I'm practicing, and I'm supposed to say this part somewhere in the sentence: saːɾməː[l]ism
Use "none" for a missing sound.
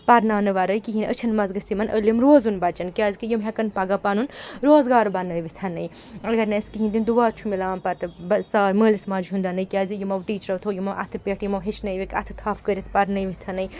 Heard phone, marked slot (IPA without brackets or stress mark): l